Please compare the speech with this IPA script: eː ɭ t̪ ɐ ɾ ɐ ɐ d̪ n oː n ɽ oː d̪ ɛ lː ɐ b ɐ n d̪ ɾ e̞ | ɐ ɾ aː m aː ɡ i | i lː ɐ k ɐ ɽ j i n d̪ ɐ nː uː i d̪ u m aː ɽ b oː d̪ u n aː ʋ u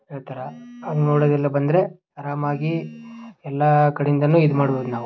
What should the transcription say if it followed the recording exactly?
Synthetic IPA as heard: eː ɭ t̪ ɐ ɾ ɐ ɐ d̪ n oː ɽ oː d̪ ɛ lː ɐ b ɐ n d̪ ɾ e̞ | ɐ ɾ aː m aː ɡ i | ɛ lː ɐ k ɐ ɽ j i n d̪ ɐ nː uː i d̪ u m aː ɽ b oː d̪ u n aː ʋ u